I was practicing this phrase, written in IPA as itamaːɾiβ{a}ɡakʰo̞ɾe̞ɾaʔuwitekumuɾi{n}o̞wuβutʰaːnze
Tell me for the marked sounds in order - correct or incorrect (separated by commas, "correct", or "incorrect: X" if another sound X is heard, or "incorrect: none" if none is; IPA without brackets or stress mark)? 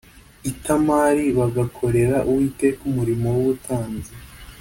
correct, incorrect: m